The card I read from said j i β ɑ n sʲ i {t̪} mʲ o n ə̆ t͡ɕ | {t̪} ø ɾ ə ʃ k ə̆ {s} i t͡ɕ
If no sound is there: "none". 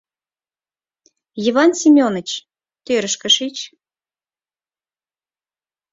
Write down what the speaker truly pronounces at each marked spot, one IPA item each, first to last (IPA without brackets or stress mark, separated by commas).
none, t̪, ʃ